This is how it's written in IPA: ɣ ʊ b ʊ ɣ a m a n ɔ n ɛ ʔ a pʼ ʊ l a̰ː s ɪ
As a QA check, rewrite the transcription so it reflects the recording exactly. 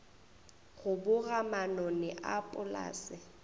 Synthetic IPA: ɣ ʊ b ʊ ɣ a m a n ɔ n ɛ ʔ a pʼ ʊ l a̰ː s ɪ